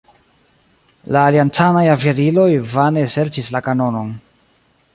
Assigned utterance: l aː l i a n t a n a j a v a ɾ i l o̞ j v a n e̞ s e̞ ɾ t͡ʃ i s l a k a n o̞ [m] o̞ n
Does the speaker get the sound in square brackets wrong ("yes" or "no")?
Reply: yes